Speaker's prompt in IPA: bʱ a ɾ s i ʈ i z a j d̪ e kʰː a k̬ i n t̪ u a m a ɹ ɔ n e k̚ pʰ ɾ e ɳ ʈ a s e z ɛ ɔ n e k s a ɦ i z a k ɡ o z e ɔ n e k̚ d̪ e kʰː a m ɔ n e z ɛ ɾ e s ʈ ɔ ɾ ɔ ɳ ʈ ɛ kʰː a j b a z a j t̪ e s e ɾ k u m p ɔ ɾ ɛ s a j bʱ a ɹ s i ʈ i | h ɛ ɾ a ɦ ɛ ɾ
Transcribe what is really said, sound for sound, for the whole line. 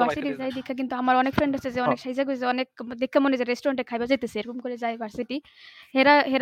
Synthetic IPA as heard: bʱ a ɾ s i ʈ i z a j d̪ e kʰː a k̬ i n t̪ u a m a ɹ ɔ n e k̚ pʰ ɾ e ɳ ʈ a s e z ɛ ɔ n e k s a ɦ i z a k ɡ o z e ɔ n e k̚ d̪ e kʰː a m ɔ n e z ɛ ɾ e s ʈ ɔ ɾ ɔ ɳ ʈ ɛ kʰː a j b a z a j t̪ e s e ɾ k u m k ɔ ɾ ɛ z a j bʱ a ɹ s i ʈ i | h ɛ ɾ a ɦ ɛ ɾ